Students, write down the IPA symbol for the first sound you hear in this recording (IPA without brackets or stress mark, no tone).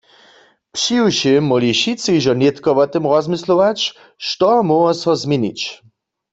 p